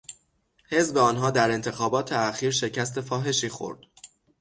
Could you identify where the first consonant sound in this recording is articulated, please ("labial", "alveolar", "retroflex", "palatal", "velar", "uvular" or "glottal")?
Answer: glottal